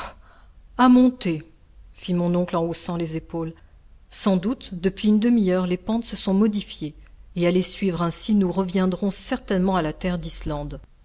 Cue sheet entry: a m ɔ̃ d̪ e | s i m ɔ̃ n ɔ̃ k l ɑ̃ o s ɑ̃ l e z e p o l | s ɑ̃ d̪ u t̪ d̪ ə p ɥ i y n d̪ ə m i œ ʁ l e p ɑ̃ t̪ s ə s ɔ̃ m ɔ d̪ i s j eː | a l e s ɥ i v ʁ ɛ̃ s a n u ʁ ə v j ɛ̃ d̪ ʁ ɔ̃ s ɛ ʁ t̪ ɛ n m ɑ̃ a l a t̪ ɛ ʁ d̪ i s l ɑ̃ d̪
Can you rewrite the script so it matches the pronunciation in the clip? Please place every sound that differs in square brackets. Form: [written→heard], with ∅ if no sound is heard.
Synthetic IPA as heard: a m ɔ̃ [d̪→t̪] e | [s→f] i m ɔ̃ n ɔ̃ k l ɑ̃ o s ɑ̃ l e z e p o l | s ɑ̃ d̪ u t̪ d̪ ə p ɥ i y n d̪ ə m i œ ʁ l e p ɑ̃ t̪ s ə s ɔ̃ m ɔ d̪ i [s→f] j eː | a l e s ɥ i v ʁ ɛ̃ s [a→i] n u ʁ ə v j ɛ̃ d̪ ʁ ɔ̃ s ɛ ʁ t̪ ɛ n m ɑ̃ a l a t̪ ɛ ʁ d̪ i s l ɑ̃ d̪